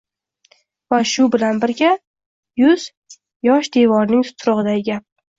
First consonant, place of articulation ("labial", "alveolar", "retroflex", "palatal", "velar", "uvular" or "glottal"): labial